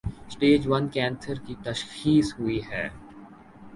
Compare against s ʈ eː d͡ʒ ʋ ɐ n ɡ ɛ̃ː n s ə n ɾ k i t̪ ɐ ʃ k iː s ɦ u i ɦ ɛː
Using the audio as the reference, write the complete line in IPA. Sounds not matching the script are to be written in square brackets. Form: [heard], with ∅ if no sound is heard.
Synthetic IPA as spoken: s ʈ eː d͡ʒ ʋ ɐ n [k] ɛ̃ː n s ə [∅] ɾ k i t̪ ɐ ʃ [x] iː s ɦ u i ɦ ɛː